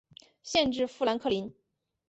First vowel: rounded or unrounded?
unrounded